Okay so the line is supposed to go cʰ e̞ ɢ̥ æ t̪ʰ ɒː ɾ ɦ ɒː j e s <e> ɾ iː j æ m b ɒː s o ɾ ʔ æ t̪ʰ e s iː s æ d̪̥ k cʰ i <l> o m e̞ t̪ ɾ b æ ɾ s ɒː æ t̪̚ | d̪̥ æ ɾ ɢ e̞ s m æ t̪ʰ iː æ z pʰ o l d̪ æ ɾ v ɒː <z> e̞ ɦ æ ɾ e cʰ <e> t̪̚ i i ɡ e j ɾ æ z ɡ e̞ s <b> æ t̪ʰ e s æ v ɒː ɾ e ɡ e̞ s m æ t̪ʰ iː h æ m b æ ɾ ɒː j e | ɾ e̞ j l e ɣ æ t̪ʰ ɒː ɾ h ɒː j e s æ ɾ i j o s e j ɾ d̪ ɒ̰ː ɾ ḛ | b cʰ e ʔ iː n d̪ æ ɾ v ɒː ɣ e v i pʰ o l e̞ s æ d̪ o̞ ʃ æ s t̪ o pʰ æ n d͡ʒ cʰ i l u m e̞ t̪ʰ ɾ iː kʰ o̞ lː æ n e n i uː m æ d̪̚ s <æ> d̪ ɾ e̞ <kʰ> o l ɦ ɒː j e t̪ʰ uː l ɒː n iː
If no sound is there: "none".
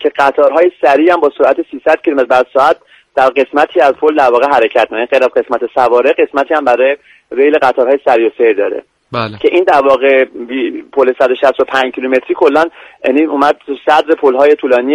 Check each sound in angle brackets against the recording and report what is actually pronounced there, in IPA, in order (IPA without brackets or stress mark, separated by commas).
æ, l, ɣ, æ, m, æ, pʰ